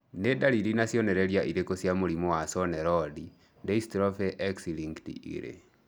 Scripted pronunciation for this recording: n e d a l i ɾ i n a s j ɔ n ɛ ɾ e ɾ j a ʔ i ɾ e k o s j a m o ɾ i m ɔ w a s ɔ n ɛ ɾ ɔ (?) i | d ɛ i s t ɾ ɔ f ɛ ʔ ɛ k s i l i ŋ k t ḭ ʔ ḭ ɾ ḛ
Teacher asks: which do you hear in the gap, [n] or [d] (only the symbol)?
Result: d